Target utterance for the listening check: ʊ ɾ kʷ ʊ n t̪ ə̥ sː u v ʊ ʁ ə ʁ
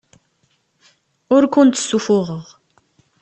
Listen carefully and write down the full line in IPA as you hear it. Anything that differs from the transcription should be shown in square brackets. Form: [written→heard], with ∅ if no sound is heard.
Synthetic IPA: ʊ ɾ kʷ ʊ n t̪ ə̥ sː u [v→f] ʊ ʁ ə ʁ